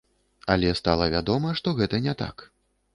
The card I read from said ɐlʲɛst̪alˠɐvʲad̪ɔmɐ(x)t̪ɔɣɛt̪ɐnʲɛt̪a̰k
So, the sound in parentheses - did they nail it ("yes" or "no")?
no